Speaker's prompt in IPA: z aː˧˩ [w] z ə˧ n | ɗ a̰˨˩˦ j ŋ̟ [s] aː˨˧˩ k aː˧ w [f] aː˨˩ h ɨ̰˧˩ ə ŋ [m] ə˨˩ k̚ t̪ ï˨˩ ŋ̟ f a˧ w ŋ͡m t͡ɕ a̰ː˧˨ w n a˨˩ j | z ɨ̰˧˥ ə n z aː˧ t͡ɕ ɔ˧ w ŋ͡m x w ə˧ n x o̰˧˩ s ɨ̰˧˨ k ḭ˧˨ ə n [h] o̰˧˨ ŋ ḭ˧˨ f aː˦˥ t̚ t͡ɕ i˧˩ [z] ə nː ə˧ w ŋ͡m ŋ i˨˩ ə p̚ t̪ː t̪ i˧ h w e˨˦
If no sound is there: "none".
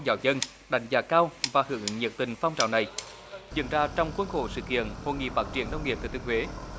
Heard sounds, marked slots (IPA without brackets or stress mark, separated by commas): w, z, v, ɲ, h, none